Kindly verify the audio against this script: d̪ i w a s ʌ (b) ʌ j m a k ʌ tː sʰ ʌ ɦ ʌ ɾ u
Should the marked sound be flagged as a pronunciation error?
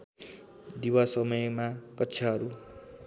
yes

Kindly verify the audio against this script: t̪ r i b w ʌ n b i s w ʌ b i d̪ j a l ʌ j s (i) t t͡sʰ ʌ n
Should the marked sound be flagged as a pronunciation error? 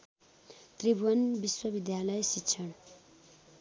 no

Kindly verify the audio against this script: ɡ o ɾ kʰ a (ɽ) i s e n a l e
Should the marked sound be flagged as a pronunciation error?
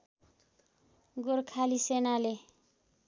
yes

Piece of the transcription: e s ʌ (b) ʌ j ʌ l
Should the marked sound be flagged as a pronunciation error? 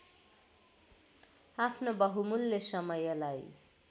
yes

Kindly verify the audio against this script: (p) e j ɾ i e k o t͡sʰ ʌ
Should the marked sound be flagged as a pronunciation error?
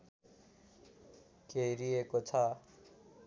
yes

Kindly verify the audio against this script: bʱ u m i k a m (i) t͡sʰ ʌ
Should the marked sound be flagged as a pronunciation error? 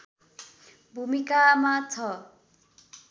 yes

